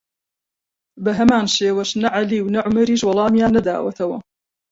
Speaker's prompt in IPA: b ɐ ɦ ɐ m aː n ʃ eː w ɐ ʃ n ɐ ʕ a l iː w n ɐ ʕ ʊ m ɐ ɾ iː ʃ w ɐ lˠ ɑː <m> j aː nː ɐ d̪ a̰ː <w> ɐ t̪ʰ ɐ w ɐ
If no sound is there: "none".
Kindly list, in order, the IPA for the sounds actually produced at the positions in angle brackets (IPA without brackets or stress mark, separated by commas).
m, w